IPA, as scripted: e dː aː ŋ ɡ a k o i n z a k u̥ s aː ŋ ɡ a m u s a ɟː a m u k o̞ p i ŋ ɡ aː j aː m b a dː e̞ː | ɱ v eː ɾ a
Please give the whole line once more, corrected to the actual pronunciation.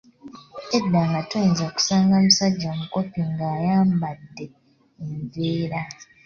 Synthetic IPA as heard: e dː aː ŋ ɡ a t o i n z a k u̥ s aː ŋ ɡ a m u s a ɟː a m u k o̞ p i ŋ ɡ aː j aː m b a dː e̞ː | ɱ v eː ɾ a